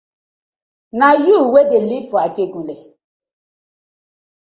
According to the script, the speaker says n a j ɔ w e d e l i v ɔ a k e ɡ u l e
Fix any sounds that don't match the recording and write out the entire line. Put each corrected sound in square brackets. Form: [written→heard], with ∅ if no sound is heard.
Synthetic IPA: n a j [ɔ→u] w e d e l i [v→f] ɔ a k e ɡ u l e